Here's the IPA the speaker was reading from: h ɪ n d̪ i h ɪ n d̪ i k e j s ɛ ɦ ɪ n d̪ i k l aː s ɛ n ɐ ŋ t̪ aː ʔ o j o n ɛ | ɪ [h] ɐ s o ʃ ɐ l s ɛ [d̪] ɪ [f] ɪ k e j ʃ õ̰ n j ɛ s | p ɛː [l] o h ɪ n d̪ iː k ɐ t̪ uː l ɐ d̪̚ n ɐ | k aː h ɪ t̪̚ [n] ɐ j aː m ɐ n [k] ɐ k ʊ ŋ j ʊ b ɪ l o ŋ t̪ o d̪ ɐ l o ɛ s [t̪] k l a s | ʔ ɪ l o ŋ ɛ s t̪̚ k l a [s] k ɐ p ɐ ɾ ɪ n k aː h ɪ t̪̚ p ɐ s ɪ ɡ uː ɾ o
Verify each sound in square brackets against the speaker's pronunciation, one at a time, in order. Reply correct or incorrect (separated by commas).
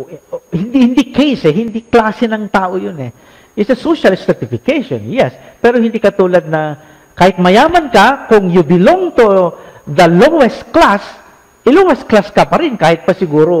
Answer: incorrect, incorrect, correct, incorrect, incorrect, correct, correct, correct